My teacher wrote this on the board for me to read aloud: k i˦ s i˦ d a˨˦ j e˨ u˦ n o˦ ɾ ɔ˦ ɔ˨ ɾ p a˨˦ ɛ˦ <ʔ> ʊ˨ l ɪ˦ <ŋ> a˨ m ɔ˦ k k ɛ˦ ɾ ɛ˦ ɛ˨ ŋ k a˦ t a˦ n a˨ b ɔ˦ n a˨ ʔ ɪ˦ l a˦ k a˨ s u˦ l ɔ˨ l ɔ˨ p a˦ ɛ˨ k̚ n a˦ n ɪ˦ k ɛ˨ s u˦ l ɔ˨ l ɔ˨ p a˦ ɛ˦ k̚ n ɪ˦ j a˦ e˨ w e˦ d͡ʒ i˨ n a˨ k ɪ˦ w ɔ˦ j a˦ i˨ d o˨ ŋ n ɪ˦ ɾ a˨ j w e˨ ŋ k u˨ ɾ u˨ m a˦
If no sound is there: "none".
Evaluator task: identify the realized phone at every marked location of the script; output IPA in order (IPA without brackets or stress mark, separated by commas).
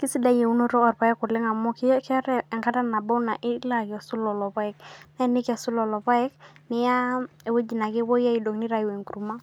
k, ŋ